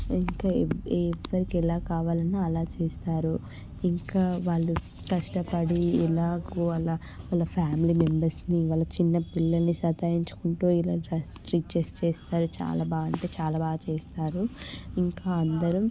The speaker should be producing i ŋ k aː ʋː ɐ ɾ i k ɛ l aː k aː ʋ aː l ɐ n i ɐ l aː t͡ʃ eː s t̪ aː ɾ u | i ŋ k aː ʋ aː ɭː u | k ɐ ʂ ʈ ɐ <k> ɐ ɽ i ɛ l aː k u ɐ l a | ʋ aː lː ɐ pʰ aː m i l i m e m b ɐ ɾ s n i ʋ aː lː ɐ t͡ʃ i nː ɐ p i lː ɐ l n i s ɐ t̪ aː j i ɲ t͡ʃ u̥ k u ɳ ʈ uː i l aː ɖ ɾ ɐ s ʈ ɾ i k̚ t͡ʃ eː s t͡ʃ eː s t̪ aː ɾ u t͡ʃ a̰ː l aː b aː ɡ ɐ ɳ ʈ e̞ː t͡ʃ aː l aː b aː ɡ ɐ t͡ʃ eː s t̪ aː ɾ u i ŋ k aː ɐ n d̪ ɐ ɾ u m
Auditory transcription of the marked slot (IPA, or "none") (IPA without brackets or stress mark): p